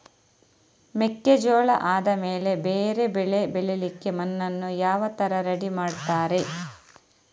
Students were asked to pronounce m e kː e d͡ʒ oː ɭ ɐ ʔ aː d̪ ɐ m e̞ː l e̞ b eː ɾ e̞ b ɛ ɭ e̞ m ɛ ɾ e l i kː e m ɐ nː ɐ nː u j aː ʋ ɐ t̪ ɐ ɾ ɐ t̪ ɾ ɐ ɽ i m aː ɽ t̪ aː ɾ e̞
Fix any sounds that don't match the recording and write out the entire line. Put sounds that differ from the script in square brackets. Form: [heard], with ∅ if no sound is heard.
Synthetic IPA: m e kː e d͡ʒ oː ɭ ɐ ʔ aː d̪ ɐ m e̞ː l e̞ b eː ɾ e̞ b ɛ ɭ e̞ [b] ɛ [ɭ] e l i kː e m ɐ nː ɐ nː u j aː ʋ ɐ t̪ ɐ ɾ ɐ [∅] ɾ ɐ ɽ i m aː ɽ t̪ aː ɾ e̞